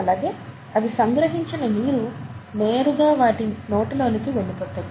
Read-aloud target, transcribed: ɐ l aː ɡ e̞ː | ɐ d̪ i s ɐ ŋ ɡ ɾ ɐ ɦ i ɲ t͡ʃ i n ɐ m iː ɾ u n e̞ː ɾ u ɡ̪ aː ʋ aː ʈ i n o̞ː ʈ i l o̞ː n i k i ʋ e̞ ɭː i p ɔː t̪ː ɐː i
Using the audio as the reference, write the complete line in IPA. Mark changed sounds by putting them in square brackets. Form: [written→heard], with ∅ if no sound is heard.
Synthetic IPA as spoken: ɐ l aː ɡ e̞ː | ɐ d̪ i s ɐ ŋ ɡ ɾ ɐ ɦ i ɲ t͡ʃ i n ɐ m iː ɾ u n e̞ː ɾ u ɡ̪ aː ʋ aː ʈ i n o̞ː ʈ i l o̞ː n i k i ʋ e̞ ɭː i p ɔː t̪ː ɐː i